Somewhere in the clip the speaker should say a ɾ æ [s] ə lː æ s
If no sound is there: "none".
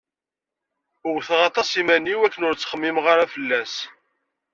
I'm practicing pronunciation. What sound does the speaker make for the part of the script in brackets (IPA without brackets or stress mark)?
f